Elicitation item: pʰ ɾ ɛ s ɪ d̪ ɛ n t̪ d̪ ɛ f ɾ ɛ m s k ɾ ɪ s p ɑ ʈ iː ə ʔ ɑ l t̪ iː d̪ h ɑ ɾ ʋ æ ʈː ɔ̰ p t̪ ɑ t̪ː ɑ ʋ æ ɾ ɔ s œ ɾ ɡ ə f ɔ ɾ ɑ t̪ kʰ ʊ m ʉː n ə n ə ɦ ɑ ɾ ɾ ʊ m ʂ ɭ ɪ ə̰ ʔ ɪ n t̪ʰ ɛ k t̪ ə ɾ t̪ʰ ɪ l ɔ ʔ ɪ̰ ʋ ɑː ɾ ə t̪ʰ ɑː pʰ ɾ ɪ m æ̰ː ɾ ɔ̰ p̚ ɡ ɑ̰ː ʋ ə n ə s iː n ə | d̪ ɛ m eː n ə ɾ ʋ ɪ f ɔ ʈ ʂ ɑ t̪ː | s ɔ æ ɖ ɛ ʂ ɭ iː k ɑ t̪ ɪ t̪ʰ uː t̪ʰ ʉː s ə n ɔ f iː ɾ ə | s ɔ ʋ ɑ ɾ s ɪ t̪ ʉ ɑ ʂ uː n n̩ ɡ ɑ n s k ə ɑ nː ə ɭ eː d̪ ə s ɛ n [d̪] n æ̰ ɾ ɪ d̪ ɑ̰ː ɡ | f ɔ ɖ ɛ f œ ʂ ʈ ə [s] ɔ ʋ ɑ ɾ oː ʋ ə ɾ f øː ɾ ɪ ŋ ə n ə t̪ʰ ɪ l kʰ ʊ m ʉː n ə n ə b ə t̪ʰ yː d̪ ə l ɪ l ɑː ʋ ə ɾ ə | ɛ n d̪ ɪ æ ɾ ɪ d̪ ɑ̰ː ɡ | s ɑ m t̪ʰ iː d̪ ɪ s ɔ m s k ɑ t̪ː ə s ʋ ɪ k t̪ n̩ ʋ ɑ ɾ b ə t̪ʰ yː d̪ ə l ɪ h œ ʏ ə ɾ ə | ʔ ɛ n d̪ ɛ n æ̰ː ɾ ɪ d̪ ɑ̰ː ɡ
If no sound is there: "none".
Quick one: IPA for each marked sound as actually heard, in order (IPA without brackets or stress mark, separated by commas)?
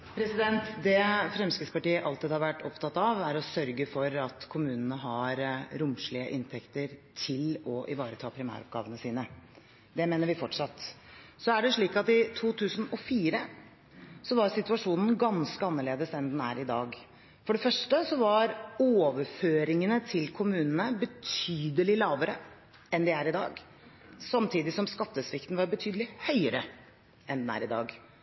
d̪, s